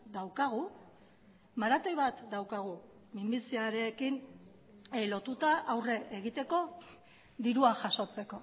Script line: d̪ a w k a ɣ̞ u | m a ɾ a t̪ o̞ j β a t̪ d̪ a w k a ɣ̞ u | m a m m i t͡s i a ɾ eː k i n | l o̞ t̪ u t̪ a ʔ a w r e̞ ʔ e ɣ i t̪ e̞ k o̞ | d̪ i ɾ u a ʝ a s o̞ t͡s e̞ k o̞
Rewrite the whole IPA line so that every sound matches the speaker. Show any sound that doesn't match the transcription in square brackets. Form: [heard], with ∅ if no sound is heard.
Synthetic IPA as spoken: d̪ a w k a ɣ̞ u | m a ɾ a t̪ o̞ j β a t̪ d̪ a w k a ɣ̞ u | m [i] m [b] i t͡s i a ɾ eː k i n | l o̞ t̪ u t̪ a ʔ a w r e̞ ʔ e ɣ i t̪ e̞ k o̞ | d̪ i ɾ u a ʝ a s o̞ t͡s e̞ k o̞

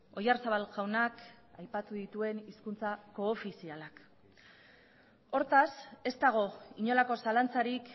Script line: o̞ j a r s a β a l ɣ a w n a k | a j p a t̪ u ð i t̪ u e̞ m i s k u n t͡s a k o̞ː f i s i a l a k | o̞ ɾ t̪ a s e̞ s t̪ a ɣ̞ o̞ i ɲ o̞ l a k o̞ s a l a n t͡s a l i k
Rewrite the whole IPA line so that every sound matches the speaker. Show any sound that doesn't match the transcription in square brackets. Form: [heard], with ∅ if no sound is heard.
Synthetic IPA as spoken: o̞ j a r s a β a l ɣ a w n a k | a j p a t̪ u ð i t̪ u e̞ [n] i s k u n t͡s a k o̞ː f i s i a l a k | o̞ ɾ t̪ a s e̞ s t̪ a ɣ̞ o̞ i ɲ o̞ l a k o̞ s a l a n t͡s a [ɾ] i k

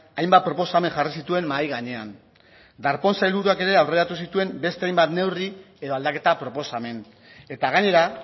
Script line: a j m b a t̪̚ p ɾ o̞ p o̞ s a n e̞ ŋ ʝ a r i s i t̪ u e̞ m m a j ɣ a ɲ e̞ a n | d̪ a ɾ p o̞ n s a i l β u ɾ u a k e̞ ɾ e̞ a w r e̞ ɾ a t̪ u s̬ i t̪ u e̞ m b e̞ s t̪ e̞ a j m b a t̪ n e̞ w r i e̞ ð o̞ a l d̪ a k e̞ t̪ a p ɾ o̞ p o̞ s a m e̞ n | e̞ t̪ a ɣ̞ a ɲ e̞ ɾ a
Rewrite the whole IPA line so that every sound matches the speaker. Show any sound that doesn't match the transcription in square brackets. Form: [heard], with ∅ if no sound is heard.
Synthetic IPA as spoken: a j m b a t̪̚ p ɾ o̞ p o̞ s a [m] e̞ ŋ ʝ a r i s i t̪ u e̞ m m a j ɣ a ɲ e̞ a n | d̪ a ɾ p o̞ n s a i l β u ɾ u a k e̞ ɾ e̞ a w r e̞ ɾ a t̪ u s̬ i t̪ u e̞ m b e̞ s t̪ e̞ a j m b a t̪ n e̞ w r i e̞ ð o̞ a l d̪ a k e̞ t̪ a p ɾ o̞ p o̞ s a m e̞ n | e̞ t̪ a ɣ̞ a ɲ e̞ ɾ a

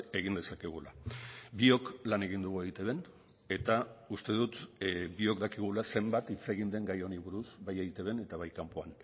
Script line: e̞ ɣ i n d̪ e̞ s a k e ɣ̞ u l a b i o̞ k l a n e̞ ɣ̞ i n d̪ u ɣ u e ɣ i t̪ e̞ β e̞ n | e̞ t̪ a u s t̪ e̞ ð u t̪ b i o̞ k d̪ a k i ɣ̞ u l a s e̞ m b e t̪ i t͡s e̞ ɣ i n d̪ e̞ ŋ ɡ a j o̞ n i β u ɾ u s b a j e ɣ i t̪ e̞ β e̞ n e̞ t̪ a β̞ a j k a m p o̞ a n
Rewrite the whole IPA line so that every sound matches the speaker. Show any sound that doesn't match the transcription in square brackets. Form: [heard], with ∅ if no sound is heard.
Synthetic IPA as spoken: e̞ ɣ i n d̪ e̞ s a k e ɣ̞ u l a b i o̞ k l a n e̞ ɣ̞ i n d̪ u ɣ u e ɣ i t̪ e̞ β e̞ n | e̞ t̪ a u s t̪ e̞ ð u t̪ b i o̞ k d̪ a k i ɣ̞ u l a s e̞ m b [a] t̪ i t͡s e̞ ɣ i n d̪ e̞ ŋ ɡ a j o̞ n i β u ɾ u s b a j e ɣ i t̪ e̞ β e̞ n e̞ t̪ a β̞ a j k a m p o̞ a n

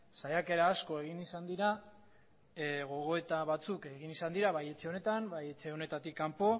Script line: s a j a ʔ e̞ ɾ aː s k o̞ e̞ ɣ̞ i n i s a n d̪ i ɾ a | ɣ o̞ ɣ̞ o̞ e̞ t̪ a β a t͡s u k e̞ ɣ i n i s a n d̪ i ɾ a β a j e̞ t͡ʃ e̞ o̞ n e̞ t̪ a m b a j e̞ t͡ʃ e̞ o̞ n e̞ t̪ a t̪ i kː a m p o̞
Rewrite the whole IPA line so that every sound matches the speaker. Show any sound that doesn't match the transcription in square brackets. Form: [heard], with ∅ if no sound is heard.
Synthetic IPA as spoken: s a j a [k] e̞ ɾ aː s k o̞ e̞ ɣ̞ i n i s a n d̪ i ɾ a | ɣ o̞ ɣ̞ o̞ e̞ t̪ a β a t͡s u k e̞ ɣ i n i s a n d̪ i ɾ a β a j e̞ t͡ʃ e̞ o̞ n e̞ t̪ a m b a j e̞ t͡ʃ e̞ o̞ n e̞ t̪ a t̪ i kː a m p o̞

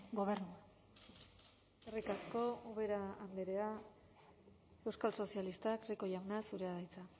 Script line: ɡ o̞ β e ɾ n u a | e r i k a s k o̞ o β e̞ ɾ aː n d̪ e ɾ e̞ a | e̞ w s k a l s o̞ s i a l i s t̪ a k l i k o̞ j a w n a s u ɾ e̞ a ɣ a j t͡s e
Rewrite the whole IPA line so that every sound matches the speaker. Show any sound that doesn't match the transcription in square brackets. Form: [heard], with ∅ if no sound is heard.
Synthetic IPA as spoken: ɡ o̞ β e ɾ n u a | e r i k a s k o̞ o β e̞ ɾ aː n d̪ e ɾ e̞ a | e̞ w s k a l s o̞ s i a l i s t̪ a k [r] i k o̞ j a w n a s u ɾ e̞ a [ð] a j t͡s [a]

